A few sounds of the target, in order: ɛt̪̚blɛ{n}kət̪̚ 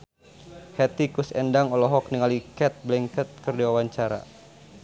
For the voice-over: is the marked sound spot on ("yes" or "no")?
no